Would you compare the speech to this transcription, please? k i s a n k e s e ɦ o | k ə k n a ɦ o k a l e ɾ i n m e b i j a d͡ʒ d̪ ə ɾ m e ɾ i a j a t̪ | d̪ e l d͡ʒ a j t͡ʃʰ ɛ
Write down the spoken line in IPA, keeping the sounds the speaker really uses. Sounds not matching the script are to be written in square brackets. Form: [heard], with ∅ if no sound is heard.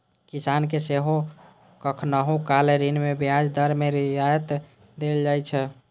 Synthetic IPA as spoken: k i s a n k e s e ɦ o | k ə [kʰ] n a ɦ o k a l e ɾ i n m e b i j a d͡ʒ d̪ ə ɾ m e ɾ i a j [ə] t̪ | d̪ e l d͡ʒ a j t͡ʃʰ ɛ